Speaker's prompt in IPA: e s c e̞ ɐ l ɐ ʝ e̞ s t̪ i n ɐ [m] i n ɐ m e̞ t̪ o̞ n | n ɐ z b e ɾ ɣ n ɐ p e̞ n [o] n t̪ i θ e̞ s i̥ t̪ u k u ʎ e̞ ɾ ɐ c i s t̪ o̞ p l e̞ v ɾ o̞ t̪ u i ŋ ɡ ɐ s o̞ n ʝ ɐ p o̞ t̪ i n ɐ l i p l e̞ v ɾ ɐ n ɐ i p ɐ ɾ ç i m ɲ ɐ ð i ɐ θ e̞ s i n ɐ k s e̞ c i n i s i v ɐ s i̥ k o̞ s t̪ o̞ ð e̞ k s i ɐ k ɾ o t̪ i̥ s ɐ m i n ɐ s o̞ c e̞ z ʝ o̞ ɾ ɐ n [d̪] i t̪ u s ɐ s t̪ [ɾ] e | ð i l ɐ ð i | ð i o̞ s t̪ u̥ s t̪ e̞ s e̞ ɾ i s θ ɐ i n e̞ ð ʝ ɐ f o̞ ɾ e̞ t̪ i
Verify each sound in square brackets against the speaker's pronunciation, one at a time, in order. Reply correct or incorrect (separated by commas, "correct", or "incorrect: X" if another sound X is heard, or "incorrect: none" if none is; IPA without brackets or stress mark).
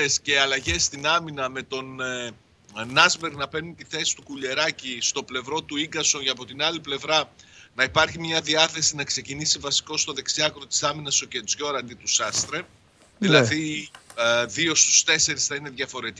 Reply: correct, incorrect: u, correct, correct